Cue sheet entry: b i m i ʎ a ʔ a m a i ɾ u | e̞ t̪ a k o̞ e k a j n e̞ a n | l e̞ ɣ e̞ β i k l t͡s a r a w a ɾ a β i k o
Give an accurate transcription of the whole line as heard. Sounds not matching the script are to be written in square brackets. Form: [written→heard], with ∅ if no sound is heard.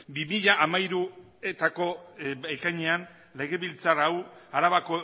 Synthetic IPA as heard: b i m i ʎ a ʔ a m a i ɾ u | e̞ t̪ a k o̞ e k a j [n→ɲ] e̞ a n | l e̞ ɣ e̞ β i [k→∅] l t͡s a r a w a ɾ a β [i→a] k o